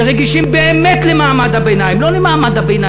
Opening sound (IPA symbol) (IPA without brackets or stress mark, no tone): ʁ